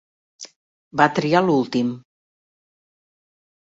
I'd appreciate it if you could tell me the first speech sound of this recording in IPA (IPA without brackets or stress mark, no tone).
b